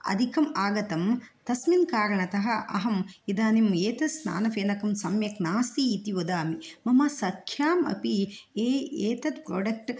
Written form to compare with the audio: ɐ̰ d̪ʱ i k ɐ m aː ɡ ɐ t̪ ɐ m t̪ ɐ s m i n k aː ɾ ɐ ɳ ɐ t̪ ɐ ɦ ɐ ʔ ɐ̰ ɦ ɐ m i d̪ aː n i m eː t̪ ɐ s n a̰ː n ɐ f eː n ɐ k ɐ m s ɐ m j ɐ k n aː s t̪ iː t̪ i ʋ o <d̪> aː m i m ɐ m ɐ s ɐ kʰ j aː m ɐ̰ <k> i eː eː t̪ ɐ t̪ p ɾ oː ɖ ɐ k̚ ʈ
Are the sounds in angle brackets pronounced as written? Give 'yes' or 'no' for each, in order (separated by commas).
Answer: yes, no